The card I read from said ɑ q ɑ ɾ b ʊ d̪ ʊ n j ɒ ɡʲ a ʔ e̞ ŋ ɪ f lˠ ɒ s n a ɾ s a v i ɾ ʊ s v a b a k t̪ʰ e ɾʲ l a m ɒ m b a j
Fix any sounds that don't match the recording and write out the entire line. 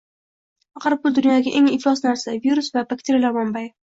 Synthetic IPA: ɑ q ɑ ɾ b ʊ d̪ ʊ n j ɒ ɡʲ a ʔ e̞ ŋ ɪ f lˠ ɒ s n a ɾ s a v i ɾ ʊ s v a b a k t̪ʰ e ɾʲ l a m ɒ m b a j